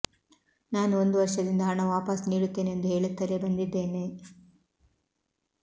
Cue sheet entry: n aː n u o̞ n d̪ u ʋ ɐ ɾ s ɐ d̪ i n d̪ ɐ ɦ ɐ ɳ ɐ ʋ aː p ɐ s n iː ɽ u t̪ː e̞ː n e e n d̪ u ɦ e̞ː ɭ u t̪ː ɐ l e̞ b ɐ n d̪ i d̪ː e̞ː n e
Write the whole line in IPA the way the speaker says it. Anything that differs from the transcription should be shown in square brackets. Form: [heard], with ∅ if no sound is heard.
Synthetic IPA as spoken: n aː n u o̞ n d̪ u ʋ ɐ ɾ [ʂ] ɐ d̪ i n d̪ ɐ ɦ ɐ ɳ ɐ ʋ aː p ɐ s n iː ɽ u t̪ː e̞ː n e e n d̪ u ɦ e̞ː ɭ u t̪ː ɐ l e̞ b ɐ n d̪ i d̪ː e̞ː n e